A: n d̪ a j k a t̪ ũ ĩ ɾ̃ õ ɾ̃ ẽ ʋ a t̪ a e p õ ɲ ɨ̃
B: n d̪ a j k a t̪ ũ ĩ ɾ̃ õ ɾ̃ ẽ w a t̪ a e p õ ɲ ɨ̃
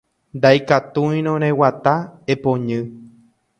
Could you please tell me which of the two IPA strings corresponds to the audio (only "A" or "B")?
B